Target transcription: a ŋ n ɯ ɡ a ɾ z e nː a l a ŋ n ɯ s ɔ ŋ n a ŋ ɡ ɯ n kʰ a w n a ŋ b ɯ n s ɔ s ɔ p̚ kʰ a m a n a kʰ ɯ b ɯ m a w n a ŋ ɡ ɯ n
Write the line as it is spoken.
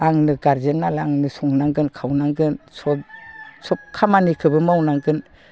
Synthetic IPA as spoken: a ŋ n ɯ ɡ a ɾ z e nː a l a ŋ n ɯ s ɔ ŋ n a ŋ ɡ ɯ n kʰ a w n a ŋ ɡ ɯ n s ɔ s ɔ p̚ kʰ a m a n i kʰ ɯ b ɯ m a w n a ŋ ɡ ɯ n